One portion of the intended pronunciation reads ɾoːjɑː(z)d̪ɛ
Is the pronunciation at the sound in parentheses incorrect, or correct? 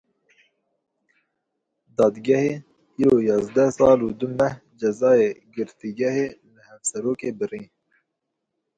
correct